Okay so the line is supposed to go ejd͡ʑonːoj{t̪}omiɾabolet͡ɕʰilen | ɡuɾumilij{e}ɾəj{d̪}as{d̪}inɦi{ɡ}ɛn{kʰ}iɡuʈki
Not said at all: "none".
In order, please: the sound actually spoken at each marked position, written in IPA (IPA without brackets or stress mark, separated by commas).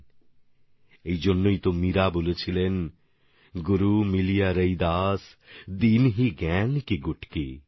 t̪, a, d̪, d̪, ɡ, k